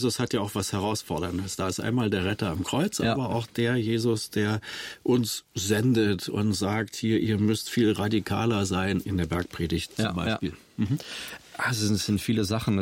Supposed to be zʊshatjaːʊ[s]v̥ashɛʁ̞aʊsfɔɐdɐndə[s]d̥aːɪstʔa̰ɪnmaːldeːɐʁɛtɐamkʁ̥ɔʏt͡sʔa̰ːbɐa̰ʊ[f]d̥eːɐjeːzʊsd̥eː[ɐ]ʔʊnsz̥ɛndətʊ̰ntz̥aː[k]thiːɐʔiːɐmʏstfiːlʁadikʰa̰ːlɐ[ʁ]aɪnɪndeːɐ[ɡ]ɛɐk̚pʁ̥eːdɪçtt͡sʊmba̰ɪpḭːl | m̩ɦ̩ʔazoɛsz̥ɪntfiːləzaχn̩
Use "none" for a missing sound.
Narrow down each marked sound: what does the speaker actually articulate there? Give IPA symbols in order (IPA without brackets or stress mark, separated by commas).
x, s, x, ɐ, k, z, b